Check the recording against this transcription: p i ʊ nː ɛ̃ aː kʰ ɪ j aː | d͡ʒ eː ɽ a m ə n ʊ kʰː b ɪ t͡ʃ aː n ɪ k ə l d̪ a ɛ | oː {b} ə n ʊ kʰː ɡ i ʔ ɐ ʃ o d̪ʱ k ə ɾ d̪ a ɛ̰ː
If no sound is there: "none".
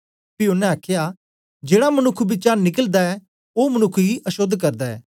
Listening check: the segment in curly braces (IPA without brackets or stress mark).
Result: m